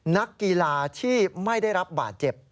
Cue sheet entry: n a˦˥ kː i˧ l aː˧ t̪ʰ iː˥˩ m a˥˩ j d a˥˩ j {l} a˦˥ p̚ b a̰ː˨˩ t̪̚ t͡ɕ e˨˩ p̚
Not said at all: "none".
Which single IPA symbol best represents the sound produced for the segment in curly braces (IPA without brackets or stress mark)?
ɾ